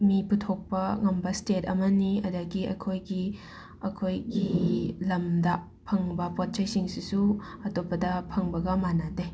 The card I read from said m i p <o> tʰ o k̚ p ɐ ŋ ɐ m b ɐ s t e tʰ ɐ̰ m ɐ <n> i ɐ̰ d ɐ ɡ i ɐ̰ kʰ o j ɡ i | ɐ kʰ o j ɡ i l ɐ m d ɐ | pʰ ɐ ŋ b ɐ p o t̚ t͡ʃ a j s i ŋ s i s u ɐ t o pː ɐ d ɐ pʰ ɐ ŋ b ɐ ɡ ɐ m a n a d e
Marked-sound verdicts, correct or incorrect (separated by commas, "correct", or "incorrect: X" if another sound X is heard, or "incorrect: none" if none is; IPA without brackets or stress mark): incorrect: u, correct